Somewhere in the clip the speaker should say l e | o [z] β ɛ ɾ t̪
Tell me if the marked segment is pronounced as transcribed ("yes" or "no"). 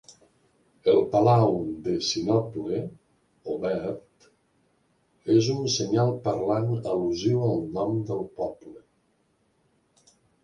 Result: no